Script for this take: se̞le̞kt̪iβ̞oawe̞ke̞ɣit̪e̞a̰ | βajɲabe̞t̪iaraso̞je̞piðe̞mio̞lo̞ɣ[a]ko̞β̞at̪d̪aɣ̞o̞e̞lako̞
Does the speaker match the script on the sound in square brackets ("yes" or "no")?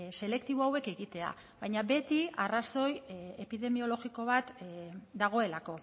no